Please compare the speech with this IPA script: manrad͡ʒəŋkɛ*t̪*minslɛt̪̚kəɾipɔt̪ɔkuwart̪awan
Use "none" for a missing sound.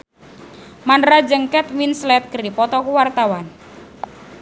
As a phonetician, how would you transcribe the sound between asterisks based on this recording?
t̪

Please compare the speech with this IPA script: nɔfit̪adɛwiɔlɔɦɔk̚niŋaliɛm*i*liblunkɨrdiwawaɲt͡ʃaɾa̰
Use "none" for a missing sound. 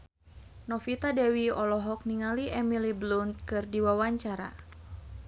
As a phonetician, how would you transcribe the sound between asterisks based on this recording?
i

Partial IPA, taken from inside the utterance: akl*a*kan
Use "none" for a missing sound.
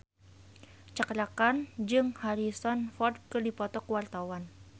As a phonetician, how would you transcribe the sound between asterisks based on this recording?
a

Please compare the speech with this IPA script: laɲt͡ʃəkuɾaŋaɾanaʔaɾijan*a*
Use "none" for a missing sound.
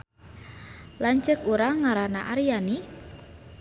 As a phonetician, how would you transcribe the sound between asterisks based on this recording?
i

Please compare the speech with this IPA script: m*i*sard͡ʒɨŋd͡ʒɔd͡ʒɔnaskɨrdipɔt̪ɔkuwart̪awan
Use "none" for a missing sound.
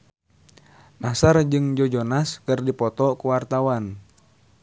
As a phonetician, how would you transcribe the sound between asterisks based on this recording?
a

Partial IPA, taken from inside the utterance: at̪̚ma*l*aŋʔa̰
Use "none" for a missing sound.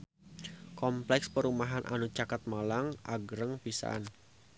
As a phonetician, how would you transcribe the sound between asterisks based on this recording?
l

